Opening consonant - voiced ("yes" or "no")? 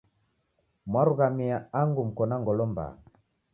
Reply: yes